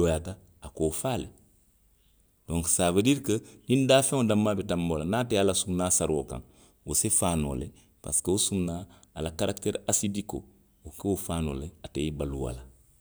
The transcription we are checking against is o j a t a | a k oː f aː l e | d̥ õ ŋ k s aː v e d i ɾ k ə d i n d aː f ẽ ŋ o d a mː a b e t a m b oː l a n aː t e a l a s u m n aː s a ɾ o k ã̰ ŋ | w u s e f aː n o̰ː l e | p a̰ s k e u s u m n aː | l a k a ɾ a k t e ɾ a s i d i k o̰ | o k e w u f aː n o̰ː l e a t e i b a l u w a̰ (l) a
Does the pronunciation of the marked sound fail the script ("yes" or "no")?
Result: no